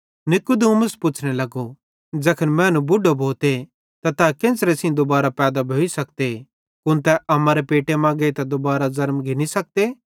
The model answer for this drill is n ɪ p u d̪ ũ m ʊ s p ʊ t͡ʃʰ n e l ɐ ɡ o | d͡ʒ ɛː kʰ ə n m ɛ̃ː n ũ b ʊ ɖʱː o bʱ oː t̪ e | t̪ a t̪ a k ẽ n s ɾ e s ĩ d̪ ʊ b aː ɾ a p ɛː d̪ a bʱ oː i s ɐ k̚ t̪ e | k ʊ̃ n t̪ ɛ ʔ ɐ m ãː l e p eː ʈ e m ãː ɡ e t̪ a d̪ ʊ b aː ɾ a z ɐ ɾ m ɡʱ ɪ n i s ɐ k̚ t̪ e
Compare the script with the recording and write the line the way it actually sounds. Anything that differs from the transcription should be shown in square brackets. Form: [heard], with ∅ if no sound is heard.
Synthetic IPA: n ɪ [k] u d̪ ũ m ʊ s p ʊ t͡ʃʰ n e l ɐ ɡ o | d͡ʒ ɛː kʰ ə n m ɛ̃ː n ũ b ʊ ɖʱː o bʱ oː t̪ e | t̪ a t̪ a k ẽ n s ɾ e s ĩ d̪ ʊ b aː ɾ a p ɛː d̪ a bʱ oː i s ɐ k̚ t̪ e | k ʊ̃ n t̪ ɛ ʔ ɐ m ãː [ɾ] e p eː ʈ e m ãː ɡ e t̪ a d̪ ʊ b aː ɾ a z ɐ ɾ m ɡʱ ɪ n i s ɐ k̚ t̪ e

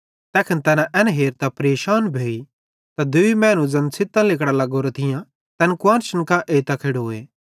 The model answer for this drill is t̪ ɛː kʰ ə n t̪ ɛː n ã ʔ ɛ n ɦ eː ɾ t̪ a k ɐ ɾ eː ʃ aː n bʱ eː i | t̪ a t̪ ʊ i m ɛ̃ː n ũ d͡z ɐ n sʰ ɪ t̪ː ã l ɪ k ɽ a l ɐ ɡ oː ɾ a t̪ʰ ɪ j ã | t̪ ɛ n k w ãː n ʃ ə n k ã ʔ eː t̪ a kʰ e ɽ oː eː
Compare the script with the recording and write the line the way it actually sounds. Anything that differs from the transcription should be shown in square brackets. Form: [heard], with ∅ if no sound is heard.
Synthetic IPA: t̪ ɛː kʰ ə n t̪ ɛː n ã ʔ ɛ n ɦ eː ɾ t̪ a [p] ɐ ɾ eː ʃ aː n bʱ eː i | t̪ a [d̪] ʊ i m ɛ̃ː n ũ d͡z ɐ n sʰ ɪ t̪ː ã l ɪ k ɽ a l ɐ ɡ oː ɾ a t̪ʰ ɪ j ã | t̪ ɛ n k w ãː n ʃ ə n k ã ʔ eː t̪ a kʰ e ɽ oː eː

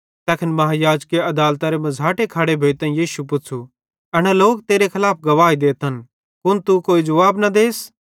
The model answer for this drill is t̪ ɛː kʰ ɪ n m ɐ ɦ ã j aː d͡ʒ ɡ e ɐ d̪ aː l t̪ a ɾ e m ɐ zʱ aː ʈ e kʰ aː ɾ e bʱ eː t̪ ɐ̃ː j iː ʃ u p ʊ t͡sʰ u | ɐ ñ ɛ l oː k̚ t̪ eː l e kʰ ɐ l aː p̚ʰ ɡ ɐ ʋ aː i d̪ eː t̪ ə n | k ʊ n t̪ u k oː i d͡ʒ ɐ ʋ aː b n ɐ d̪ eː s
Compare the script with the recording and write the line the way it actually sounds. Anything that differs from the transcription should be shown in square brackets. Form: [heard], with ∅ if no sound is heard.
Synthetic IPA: t̪ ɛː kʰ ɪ n m ɐ ɦ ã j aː d͡ʒ [k] e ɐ d̪ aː l t̪ a ɾ e m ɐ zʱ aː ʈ e kʰ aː [ɽ] e bʱ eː t̪ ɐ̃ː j iː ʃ u p ʊ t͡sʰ u | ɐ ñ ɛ l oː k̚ t̪ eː [ɾ] e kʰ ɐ l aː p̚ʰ ɡ ɐ ʋ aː i d̪ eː t̪ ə n | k ʊ n t̪ u k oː i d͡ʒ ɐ ʋ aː b n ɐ d̪ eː s

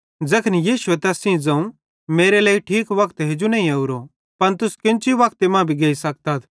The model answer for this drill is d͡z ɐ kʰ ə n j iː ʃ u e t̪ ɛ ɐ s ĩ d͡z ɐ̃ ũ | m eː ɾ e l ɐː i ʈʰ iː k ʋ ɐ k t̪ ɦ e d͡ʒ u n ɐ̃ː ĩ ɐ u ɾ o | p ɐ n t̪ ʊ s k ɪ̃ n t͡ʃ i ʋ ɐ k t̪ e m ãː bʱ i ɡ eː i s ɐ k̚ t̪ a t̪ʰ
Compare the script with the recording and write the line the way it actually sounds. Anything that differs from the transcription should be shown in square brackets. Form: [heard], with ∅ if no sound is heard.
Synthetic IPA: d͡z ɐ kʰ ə n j iː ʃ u e t̪ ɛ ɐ s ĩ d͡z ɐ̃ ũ | m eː ɾ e l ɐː i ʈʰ iː k ʋ ɐ k t̪ ɦ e d͡ʒ u n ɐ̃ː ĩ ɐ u ɾ o | p ɐ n t̪ ʊ s k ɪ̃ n t͡ʃ i ʋ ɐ k t̪ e m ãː bʱ i ɡ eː i s ɐ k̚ t̪ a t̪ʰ

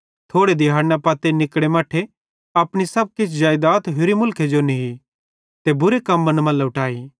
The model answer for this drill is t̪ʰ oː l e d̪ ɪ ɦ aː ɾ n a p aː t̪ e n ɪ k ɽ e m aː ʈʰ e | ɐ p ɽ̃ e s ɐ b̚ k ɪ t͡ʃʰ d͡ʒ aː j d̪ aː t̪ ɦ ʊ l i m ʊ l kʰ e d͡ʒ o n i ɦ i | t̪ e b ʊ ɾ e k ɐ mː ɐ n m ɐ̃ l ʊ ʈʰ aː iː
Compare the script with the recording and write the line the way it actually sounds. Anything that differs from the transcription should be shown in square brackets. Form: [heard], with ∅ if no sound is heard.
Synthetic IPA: t̪ʰ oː [ɽ] e d̪ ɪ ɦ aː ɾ n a p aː t̪ e n ɪ k ɽ e m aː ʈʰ e | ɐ p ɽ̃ [i] s ɐ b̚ k ɪ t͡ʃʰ d͡ʒ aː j d̪ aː t̪ ɦ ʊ [ɾ] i m ʊ l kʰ e d͡ʒ o n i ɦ i | t̪ e b ʊ ɾ e k ɐ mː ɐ n m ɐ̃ l ʊ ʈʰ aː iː

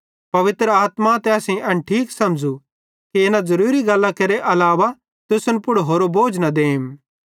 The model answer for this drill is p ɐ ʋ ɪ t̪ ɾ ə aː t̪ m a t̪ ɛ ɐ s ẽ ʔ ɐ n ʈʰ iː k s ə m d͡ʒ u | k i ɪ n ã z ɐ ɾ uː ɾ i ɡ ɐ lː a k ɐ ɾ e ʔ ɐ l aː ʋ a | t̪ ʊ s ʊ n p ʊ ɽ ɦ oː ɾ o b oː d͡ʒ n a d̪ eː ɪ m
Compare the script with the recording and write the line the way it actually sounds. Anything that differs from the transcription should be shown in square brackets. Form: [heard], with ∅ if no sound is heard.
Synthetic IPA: p ɐ ʋ ɪ t̪ ɾ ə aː t̪ m a t̪ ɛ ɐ s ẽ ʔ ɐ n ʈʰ iː k s [ɐ] m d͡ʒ u | k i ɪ n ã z ɐ ɾ uː ɾ i ɡ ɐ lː a k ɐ ɾ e ʔ ɐ l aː ʋ a | t̪ ʊ s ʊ n p ʊ ɽ ɦ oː ɾ o b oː d͡ʒ n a d̪ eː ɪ m

